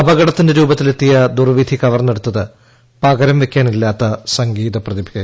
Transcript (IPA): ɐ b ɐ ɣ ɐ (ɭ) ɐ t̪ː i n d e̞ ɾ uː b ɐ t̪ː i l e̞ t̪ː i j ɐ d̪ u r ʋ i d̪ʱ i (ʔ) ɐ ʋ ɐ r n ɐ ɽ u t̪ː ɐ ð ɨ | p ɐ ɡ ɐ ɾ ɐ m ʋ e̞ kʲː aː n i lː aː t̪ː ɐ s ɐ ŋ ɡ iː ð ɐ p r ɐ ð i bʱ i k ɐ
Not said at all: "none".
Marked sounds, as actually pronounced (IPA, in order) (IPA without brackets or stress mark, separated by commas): ɽ, k